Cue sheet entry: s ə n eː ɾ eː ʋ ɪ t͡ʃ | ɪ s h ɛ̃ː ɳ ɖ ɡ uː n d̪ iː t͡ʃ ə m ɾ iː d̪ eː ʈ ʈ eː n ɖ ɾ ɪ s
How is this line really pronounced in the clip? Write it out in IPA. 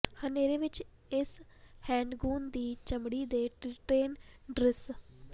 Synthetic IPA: h ə n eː ɾ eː ʋ ɪ t͡ʃ | ɪ s h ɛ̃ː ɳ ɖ ɡ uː n d̪ iː t͡ʃ ə m ɽ iː d̪ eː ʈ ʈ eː n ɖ ɾ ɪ s